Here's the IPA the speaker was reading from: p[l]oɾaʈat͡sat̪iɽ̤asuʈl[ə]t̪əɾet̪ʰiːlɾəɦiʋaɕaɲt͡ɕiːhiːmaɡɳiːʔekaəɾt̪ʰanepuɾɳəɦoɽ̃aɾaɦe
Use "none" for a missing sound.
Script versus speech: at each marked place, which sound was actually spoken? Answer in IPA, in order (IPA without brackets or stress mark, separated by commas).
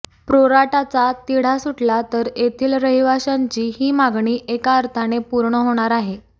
ɾ, a